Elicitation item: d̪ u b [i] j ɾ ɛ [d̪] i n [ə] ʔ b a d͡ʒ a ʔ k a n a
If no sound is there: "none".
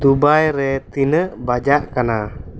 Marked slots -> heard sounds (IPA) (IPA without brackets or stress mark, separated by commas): a, t̪, ə